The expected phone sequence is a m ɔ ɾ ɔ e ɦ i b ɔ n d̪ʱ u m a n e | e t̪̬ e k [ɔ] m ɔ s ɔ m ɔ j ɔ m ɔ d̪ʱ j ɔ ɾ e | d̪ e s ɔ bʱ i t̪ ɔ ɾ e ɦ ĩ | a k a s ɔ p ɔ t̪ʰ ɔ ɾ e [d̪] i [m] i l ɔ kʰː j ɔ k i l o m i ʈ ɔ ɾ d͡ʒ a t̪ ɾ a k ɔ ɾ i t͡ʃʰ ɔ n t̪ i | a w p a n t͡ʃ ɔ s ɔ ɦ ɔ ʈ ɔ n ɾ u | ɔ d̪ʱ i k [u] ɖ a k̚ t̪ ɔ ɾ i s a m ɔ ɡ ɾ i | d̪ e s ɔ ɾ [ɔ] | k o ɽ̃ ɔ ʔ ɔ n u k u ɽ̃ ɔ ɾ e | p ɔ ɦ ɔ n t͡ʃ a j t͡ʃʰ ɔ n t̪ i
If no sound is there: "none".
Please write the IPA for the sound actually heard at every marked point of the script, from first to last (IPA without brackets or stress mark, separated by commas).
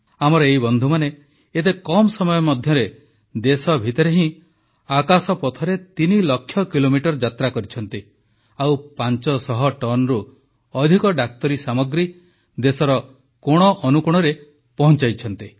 ɔ, t̪, n, ɔ, ɔ